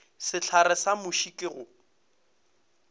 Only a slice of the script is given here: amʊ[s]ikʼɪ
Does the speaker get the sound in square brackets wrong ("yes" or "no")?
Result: yes